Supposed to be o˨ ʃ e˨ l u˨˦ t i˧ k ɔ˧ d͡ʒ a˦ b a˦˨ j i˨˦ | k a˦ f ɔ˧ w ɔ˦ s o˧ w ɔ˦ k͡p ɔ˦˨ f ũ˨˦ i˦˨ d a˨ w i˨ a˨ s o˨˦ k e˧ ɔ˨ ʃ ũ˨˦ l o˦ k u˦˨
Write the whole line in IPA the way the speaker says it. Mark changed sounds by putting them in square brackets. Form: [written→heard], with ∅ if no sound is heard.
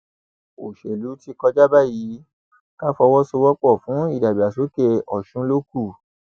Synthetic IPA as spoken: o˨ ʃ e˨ l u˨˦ t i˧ k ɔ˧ d͡ʒ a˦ b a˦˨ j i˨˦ | k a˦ f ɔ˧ w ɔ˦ s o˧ w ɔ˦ k͡p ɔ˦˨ f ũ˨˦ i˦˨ d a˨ [w→b] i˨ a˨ s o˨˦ k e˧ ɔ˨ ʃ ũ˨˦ l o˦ k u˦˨